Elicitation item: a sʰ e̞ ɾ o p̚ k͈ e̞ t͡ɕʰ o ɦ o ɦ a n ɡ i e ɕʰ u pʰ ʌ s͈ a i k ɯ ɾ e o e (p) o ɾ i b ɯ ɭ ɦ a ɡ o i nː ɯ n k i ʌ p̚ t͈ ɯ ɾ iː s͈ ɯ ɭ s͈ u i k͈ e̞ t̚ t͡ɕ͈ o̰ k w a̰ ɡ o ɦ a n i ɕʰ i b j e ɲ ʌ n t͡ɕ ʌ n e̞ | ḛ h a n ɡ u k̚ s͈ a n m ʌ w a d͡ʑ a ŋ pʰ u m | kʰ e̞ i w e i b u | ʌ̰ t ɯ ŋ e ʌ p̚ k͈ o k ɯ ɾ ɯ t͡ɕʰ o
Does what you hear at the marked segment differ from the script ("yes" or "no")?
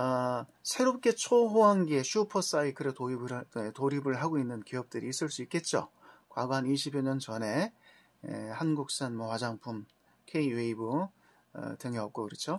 yes